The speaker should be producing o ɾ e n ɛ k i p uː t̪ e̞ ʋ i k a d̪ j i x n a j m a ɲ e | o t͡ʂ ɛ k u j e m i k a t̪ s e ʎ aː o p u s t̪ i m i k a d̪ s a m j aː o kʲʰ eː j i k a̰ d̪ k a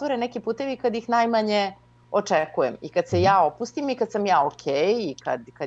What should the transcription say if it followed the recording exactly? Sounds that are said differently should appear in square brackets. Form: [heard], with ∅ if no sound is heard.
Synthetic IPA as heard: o ɾ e n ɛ k i p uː t̪ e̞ ʋ i k a d̪ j i x n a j m a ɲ e | o t͡ʂ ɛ k u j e m i k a [d̪] s e [j] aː o p u s t̪ i m i k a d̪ s a m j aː o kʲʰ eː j i k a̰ d̪ k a